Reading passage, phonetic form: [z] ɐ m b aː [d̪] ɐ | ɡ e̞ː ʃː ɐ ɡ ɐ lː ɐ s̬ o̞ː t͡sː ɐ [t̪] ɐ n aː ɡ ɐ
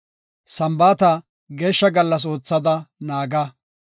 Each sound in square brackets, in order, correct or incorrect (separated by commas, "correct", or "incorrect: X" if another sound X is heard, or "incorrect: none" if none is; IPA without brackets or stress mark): incorrect: s, incorrect: t̪, incorrect: d̪